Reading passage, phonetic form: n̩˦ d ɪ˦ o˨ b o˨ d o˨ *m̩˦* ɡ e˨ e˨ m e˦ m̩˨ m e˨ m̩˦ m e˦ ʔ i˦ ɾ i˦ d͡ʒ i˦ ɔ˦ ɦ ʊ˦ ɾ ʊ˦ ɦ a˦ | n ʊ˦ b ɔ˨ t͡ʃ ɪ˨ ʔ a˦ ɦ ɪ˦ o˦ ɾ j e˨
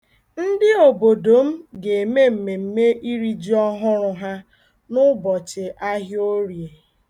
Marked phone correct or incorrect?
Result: correct